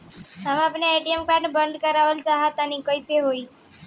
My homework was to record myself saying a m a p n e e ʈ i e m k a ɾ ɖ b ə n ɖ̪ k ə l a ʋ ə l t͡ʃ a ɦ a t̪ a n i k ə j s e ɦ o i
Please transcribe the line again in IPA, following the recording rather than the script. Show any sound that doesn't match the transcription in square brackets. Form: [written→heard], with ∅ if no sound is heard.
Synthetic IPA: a m a p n e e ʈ i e m k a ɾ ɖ b ə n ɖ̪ k ə [l→ɾ] a ʋ ə l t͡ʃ a ɦ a t̪ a n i k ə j s e ɦ o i

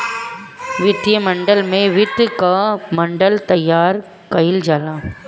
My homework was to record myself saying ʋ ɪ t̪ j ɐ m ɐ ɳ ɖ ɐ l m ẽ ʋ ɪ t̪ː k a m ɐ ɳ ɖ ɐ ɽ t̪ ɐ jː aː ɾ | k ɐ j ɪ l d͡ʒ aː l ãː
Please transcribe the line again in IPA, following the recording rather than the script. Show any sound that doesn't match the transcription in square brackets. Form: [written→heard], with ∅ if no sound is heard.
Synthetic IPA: ʋ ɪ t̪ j ɐ m ɐ ɳ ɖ ɐ l m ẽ ʋ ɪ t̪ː k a m ɐ ɳ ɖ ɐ [ɽ→l] t̪ ɐ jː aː ɾ | k ɐ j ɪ l d͡ʒ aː l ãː

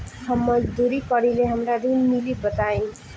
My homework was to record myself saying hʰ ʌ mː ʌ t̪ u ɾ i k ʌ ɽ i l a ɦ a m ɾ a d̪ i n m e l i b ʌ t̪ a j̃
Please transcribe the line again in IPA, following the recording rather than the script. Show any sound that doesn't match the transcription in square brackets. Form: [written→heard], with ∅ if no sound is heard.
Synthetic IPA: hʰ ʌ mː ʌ [t̪→d̪] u ɾ i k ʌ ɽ i l [a→e] ɦ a m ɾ a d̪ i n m [e→i] l i b ʌ t̪ a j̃

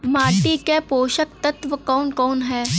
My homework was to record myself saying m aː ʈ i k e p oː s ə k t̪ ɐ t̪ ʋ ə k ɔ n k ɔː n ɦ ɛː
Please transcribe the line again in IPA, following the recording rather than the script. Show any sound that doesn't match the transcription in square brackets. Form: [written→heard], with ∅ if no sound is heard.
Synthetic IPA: m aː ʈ i k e p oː [s→ʃ] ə k t̪ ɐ t̪ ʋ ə k [ɔ→ɔː] n k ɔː n ɦ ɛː

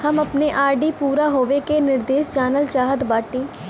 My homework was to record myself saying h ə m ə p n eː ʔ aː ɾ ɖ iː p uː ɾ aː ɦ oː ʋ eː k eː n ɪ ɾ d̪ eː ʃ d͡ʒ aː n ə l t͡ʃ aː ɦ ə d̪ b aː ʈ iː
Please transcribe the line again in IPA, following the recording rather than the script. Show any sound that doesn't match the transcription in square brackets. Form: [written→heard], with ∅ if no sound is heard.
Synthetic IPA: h ə m ə p n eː ʔ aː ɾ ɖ iː p uː ɾ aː ɦ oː ʋ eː k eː n ɪ ɾ d̪ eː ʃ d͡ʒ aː n ə l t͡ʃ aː ɦ ə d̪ b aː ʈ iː

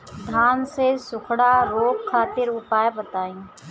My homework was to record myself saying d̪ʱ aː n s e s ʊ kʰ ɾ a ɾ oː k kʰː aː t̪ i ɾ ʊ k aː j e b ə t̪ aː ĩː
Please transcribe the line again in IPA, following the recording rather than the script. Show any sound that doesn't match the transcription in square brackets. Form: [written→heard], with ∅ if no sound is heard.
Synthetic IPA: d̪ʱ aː n s e s ʊ kʰ [ɾ→ɽ] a ɾ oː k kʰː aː t̪ [i→ɪ] ɾ ʊ [k→p] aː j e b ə t̪ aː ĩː

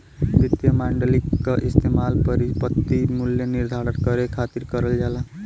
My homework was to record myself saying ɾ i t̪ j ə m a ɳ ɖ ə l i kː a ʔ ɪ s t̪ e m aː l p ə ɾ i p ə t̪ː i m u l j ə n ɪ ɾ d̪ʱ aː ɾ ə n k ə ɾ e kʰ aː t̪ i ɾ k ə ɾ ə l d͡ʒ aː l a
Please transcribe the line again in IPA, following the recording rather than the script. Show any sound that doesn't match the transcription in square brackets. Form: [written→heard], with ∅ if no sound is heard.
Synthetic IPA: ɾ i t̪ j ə m a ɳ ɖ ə l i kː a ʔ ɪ s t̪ e m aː l p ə ɾ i p ə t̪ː i m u l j ə n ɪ ɾ d̪ʱ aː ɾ ə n k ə ɾ e kʰ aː t̪ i ɾ k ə ɾ ə l d͡ʒ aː l a

